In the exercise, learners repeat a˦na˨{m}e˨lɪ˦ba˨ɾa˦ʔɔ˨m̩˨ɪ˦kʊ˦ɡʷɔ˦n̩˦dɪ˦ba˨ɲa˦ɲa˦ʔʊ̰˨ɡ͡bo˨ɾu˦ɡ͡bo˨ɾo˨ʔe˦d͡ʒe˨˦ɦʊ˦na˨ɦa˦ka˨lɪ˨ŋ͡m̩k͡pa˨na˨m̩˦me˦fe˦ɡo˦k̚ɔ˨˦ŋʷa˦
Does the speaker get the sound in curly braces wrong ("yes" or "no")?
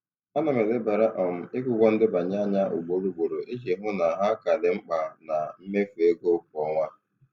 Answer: no